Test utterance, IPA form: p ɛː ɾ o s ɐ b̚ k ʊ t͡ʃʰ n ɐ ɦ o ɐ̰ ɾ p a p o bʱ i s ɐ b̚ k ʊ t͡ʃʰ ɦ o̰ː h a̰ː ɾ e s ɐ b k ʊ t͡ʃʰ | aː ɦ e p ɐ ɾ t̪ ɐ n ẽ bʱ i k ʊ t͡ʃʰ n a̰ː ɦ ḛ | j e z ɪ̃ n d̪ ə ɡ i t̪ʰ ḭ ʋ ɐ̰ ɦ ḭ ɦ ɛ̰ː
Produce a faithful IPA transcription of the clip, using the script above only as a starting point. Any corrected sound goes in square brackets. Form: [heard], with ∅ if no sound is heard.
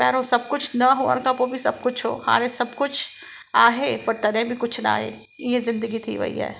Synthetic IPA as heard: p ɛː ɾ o s ɐ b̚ k ʊ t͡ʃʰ n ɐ ɦ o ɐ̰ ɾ [k] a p o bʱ i s ɐ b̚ k ʊ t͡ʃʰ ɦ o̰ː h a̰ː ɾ e s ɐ b k ʊ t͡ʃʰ | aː ɦ e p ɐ ɾ t̪ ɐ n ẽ bʱ i k ʊ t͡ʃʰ n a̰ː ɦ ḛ | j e z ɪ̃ n d̪ ə ɡ i t̪ʰ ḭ ʋ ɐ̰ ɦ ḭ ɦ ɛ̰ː